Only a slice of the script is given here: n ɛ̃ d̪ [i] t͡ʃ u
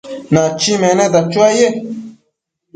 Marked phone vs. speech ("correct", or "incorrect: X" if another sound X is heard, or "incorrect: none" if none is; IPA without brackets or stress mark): incorrect: a